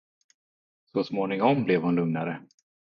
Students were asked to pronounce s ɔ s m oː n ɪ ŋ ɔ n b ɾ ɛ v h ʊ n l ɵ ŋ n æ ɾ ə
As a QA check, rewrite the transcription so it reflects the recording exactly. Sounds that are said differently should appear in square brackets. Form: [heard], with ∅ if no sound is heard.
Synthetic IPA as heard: s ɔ s m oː n ɪ ŋ ɔ [m] b [l] ɛ v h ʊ n l ɵ ŋ n [a] ɾ ə